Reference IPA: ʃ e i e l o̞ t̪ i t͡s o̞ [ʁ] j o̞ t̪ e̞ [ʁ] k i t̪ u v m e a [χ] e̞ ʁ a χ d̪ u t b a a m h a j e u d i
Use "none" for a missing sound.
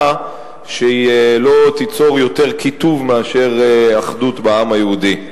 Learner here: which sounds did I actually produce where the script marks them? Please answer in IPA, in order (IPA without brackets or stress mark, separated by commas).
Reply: ʁ, ʁ, ʃ